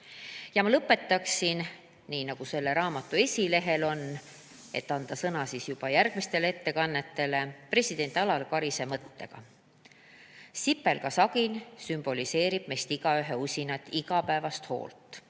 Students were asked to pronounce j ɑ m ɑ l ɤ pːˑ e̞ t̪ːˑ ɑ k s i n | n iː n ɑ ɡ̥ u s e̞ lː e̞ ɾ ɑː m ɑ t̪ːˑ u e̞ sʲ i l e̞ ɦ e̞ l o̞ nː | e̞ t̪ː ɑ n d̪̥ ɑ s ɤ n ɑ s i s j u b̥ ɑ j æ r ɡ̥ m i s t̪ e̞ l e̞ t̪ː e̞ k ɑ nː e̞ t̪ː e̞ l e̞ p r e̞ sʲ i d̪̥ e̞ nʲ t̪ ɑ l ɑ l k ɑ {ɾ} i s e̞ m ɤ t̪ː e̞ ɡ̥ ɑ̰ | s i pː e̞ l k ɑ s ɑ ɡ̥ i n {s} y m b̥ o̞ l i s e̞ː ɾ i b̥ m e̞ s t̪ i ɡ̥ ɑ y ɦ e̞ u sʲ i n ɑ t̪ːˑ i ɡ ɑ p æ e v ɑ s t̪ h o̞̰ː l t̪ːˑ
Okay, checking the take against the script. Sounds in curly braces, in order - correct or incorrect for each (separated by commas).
correct, correct